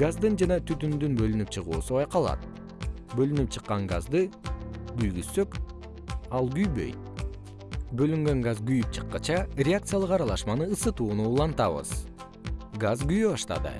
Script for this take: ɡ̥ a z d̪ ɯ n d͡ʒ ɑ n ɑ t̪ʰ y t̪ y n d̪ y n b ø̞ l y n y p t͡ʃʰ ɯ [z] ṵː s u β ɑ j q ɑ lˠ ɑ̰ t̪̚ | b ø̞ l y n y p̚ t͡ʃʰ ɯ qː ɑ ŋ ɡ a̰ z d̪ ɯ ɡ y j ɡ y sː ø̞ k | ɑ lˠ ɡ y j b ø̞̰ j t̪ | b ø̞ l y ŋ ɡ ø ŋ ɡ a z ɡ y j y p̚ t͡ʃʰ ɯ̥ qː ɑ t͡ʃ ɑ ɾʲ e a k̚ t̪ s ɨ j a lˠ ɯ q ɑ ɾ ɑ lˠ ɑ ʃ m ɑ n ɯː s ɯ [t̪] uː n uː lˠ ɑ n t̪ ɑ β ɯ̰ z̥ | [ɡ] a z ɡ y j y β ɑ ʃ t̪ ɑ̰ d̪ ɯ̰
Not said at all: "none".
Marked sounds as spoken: ʁ, t̪, ɡ

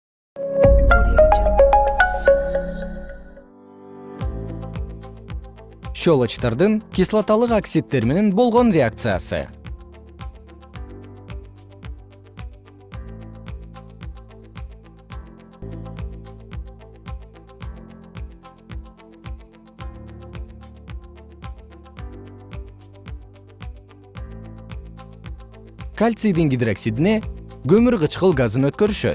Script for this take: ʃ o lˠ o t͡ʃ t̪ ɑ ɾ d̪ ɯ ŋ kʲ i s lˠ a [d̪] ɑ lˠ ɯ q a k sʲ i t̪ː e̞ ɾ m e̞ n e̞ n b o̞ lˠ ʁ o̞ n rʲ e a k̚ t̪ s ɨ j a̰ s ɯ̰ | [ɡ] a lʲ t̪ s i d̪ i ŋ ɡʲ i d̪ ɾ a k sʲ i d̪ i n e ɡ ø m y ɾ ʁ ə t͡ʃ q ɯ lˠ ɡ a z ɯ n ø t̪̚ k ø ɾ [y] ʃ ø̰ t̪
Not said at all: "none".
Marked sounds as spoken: t̪, k, y

